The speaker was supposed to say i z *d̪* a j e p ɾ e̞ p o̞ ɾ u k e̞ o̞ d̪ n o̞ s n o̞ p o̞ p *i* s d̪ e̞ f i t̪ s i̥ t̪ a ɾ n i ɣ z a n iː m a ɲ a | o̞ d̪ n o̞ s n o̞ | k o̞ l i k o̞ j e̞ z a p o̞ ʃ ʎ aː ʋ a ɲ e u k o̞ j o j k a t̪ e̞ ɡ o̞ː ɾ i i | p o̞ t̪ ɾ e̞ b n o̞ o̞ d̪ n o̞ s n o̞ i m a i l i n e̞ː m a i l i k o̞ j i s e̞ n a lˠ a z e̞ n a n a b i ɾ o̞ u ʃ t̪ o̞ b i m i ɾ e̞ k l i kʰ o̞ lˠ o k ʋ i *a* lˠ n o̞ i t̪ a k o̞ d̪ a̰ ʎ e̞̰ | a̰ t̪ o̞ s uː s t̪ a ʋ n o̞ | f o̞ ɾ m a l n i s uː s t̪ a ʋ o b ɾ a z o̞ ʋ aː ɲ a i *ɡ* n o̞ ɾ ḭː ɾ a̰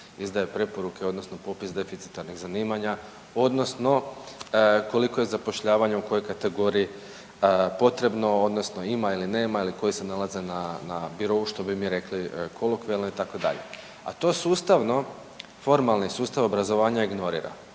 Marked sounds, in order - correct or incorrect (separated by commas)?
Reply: correct, correct, incorrect, correct